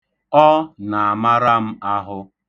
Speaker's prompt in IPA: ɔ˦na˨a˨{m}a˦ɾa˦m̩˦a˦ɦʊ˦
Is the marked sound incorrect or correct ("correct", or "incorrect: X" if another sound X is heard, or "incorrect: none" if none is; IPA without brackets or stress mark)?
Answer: correct